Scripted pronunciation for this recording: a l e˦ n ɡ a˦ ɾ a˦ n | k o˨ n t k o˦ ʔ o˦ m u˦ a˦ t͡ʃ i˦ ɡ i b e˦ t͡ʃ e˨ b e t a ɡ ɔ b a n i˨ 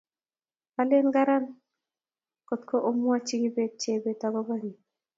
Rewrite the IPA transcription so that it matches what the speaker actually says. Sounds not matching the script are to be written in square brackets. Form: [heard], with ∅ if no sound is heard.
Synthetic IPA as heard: a l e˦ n ɡ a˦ ɾ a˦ n | k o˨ [∅] t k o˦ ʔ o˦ m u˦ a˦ t͡ʃ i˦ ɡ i b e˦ t͡ʃ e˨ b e t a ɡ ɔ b a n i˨